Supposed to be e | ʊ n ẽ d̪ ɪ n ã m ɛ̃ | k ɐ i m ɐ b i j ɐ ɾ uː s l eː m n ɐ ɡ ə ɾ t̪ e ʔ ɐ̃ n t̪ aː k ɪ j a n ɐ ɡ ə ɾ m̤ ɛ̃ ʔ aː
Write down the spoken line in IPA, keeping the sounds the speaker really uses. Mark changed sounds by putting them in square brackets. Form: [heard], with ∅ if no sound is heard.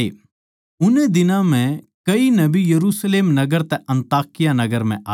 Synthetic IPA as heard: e | ʊ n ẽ d̪ ɪ n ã m ɛ̃ | k ɐ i [n] ɐ b i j ɐ ɾ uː s l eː m n ɐ ɡ ə ɾ t̪ [ɛ] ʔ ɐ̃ n t̪ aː k ɪ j a n ɐ ɡ ə ɾ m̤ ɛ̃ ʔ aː